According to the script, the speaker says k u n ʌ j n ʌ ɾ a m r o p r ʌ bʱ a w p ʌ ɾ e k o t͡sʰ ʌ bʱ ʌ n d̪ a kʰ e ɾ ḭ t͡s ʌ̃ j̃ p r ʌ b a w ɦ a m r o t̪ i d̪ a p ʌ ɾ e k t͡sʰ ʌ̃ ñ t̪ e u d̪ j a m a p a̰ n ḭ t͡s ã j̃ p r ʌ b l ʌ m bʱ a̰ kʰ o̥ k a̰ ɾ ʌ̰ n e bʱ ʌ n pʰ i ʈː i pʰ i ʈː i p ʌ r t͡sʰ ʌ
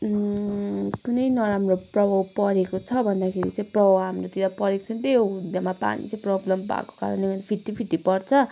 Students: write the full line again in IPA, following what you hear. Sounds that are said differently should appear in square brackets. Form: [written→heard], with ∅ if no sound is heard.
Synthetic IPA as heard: k u n ʌ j n ʌ ɾ a m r o p r ʌ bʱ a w p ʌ ɾ e k o t͡sʰ ʌ bʱ ʌ n d̪ a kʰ e ɾ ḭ t͡s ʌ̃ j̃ p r ʌ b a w ɦ a m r o t̪ i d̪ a p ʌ ɾ e k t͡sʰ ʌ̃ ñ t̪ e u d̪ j a m a p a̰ n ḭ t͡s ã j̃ p r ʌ b l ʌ m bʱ a̰ [kʰ→k] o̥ k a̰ ɾ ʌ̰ n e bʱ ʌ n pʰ i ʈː i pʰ i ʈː i p ʌ r t͡sʰ ʌ

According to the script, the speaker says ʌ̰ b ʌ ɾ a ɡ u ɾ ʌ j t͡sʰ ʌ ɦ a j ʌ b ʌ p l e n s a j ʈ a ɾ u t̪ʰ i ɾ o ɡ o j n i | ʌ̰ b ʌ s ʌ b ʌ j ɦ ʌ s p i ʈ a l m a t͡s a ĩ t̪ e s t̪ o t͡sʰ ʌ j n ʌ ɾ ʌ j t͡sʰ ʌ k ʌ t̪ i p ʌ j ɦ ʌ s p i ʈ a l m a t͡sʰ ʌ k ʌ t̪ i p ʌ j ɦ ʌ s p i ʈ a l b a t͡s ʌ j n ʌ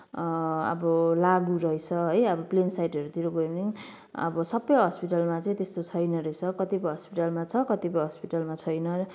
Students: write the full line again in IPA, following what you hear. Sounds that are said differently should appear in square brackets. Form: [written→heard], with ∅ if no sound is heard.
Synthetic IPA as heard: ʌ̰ b ʌ [ɾ→l] a ɡ u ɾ ʌ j t͡sʰ ʌ ɦ [a→ʌ] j ʌ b ʌ p l e n s a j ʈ [a→ʌ] ɾ u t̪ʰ i ɾ o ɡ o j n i | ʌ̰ b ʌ s ʌ b ʌ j ɦ ʌ s p i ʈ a l m a t͡s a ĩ t̪ e s t̪ o t͡sʰ ʌ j n ʌ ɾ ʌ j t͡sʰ ʌ k ʌ t̪ i p ʌ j ɦ ʌ s p i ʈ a l m a t͡sʰ ʌ k ʌ t̪ i p ʌ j ɦ ʌ s p i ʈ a l [b→m] a [t͡s→t͡sʰ] ʌ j n ʌ

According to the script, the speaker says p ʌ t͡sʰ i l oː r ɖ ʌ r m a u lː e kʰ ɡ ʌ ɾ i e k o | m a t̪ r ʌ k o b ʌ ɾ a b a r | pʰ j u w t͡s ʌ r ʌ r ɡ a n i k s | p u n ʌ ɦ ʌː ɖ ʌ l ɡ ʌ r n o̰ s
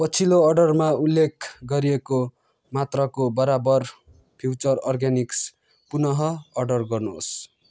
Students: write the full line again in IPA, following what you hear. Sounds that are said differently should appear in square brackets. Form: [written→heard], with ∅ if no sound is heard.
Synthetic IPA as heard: p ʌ t͡sʰ i l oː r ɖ ʌ r m a u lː e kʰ ɡ ʌ ɾ i e k o | m a t̪ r ʌ k o b ʌ ɾ a b [a→ʌ] r | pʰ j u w t͡s ʌ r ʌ r ɡ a n i k s | p u n ʌ ɦ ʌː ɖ ʌ [l→r] ɡ ʌ r n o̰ s

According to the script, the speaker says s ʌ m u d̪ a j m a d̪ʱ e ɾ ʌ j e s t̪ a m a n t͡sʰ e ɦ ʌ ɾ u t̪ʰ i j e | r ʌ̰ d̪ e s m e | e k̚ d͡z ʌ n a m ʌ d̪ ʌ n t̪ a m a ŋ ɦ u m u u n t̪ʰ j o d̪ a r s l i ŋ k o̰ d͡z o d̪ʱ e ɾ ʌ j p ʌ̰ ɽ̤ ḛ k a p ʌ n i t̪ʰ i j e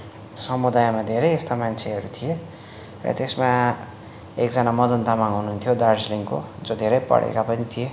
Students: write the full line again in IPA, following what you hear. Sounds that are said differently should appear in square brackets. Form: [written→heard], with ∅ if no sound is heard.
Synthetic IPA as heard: s ʌ m u d̪ a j m a d̪ʱ e ɾ ʌ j e s t̪ a m a n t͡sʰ e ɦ ʌ ɾ u t̪ʰ i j e | r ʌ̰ [d̪→t̪] e s m [e→a] | e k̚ d͡z ʌ n a m ʌ d̪ ʌ n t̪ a m a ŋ ɦ u [m→n] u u n t̪ʰ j o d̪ a r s l i ŋ k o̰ d͡z o d̪ʱ e ɾ ʌ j p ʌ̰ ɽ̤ ḛ k a p ʌ n i t̪ʰ i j e

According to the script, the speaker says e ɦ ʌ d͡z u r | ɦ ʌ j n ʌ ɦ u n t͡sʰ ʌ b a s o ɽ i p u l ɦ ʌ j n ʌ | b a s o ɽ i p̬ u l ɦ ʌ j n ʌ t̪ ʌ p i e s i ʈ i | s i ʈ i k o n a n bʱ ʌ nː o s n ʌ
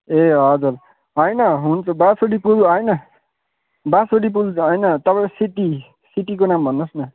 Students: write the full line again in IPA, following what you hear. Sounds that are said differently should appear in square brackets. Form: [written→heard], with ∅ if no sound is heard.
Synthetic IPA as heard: e ɦ ʌ d͡z u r | ɦ ʌ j n ʌ ɦ u n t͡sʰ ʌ b a s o ɽ i p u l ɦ ʌ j n ʌ | b a s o ɽ i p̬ u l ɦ ʌ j n ʌ t̪ ʌ p [i→a] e s i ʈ i | s i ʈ i k o n a [n→m] bʱ ʌ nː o s n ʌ

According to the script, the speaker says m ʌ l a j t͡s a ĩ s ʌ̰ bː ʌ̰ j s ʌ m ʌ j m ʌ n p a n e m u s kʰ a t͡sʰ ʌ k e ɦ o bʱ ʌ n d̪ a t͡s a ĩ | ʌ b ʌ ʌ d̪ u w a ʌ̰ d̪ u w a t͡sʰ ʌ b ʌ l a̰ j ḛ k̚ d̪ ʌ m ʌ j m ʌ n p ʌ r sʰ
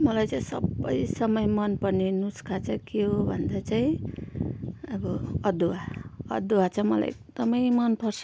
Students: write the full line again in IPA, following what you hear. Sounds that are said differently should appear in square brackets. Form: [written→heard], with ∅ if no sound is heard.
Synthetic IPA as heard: m ʌ l a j t͡s a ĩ s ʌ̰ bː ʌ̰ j s ʌ m ʌ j m ʌ n p [a→ʌ] n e [m→n] u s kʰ a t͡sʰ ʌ k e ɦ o bʱ ʌ n d̪ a t͡s a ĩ | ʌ b ʌ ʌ d̪ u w a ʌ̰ d̪ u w a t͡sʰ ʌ [b→m] ʌ l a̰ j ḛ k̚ d̪ ʌ m ʌ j m ʌ n p ʌ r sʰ

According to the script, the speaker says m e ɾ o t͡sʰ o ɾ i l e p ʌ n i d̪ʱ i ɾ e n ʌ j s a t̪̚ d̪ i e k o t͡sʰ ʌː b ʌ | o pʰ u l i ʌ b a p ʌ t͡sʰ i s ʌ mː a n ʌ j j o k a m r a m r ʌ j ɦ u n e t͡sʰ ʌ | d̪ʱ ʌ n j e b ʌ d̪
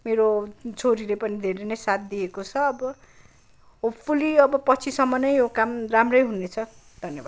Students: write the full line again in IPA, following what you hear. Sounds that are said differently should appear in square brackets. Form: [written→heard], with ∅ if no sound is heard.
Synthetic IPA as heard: m e ɾ o t͡sʰ o ɾ i l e p ʌ n i d̪ʱ [i→e] ɾ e n ʌ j s a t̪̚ d̪ i e k o t͡sʰ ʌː b ʌ | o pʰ u l i ʌ b [a→ʌ] p ʌ t͡sʰ i s ʌ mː [a→ʌ] n ʌ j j o k a m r a m r ʌ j ɦ u n e t͡sʰ ʌ | d̪ʱ ʌ n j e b [ʌ→a] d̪

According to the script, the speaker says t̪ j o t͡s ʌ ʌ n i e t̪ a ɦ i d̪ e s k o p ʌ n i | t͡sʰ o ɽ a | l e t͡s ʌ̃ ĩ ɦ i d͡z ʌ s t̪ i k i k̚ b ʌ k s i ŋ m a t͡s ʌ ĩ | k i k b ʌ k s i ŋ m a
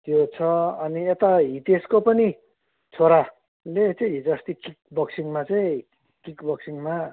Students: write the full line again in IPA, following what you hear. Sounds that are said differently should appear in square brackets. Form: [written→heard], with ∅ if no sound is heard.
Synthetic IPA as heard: t̪ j o [t͡s→t͡sʰ] ʌ ʌ n i e t̪ a ɦ i [d̪→t̪] e s k o p ʌ n i | t͡sʰ o [ɽ→ɾ] a | l e t͡s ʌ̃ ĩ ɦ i d͡z ʌ s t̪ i k i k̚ b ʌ k s i ŋ m a t͡s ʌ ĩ | k i k b ʌ k s i ŋ m a

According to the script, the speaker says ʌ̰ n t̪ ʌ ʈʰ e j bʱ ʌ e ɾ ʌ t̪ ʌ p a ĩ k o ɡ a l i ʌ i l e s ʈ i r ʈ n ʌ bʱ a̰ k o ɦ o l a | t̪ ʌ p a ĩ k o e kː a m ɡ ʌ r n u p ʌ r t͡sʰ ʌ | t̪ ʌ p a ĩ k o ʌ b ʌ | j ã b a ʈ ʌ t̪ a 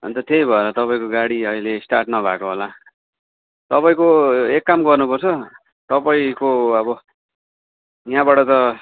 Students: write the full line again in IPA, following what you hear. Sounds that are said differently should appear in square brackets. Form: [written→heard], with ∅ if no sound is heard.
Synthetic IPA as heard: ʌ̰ n t̪ ʌ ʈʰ e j bʱ ʌ e ɾ ʌ t̪ ʌ p a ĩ k o ɡ a [l→ɽ] i ʌ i l e s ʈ [i→a] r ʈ n ʌ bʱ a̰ k o ɦ o l a | t̪ ʌ p a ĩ k o e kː a m ɡ ʌ r n u p ʌ r t͡sʰ ʌ | t̪ ʌ p a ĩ k o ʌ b ʌ | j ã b a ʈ ʌ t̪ [a→ʌ]

